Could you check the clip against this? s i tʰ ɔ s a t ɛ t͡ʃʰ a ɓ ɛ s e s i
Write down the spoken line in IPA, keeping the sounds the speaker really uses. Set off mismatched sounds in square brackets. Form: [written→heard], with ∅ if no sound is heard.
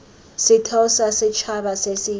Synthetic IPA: s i tʰ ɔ s a [t→s] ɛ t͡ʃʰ a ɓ [ɛ→a] s e s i